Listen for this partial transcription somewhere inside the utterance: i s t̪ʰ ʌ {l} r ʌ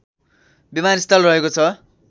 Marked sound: correct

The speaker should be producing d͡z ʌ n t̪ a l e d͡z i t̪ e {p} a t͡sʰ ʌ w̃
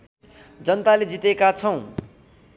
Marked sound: incorrect: k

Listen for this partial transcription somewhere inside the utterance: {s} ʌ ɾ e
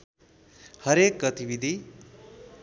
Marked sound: incorrect: h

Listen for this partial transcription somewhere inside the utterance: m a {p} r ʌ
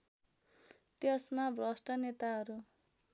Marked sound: incorrect: b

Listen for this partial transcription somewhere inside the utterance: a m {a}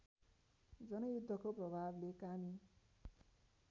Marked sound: incorrect: i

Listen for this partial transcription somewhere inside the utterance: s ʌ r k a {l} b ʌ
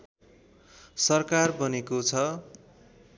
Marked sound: incorrect: r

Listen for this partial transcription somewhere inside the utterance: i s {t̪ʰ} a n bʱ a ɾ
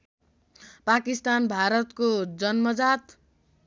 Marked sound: incorrect: t̪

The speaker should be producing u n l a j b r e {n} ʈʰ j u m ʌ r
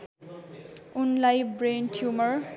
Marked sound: correct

